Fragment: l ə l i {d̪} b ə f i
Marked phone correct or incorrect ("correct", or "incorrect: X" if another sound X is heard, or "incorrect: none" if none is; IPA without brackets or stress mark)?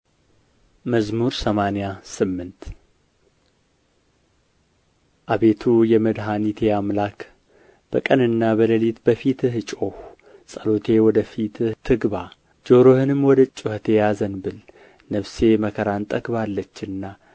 incorrect: t̪